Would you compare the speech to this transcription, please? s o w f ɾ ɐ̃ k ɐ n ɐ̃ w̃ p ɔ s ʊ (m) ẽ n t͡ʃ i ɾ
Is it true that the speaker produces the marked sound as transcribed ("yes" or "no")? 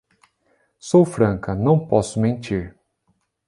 yes